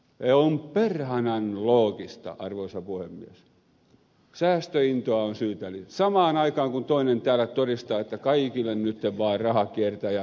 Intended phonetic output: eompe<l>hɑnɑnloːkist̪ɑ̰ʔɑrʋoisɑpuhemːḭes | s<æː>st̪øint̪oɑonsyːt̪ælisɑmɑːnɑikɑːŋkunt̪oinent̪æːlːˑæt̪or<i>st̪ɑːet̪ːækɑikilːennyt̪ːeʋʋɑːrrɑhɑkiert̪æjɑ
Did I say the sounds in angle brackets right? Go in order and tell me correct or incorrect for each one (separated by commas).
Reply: incorrect, correct, correct